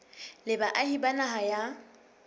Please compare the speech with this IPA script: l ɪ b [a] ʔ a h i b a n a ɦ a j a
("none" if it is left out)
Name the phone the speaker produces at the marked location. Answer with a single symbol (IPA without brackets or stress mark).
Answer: a